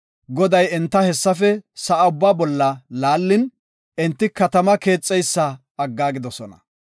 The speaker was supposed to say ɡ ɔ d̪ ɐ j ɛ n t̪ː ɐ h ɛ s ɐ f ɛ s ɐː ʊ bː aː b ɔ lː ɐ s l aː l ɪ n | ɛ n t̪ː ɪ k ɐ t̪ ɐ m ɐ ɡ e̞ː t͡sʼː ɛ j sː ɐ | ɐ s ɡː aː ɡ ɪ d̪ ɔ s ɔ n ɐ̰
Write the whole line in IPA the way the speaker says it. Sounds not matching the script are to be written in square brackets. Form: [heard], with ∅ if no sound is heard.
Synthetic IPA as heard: ɡ ɔ d̪ ɐ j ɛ n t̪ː ɐ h ɛ [sː] ɐ f ɛ s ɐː ʊ bː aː b ɔ lː ɐ [∅] l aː [lː] ɪ n | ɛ n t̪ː ɪ k ɐ t̪ ɐ m ɐ [k] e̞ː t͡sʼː ɛ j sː ɐ | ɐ [∅] ɡː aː ɡ ɪ d̪ ɔ s ɔ n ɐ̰